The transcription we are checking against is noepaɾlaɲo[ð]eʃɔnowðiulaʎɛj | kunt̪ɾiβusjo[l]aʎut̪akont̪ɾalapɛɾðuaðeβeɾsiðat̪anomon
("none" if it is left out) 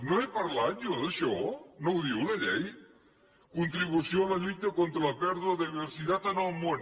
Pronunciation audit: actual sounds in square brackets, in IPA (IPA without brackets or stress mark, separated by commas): ð, l